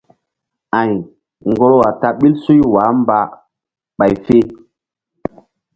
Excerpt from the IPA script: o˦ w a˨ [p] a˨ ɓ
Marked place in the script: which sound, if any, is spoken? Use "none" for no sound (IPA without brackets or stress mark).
t